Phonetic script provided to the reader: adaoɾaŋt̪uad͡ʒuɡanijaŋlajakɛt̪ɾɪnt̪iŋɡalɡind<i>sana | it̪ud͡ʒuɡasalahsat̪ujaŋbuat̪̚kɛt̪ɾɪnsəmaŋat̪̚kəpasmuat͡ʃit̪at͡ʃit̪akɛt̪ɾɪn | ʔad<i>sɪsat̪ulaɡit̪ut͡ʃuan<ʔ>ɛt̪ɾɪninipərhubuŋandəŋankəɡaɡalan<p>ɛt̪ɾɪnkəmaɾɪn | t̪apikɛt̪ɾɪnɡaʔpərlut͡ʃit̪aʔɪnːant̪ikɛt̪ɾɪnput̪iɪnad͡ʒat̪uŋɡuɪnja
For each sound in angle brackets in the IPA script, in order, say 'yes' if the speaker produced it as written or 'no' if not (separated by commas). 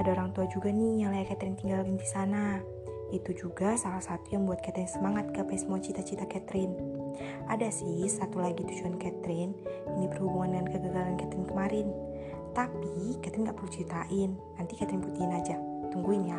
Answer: yes, no, no, no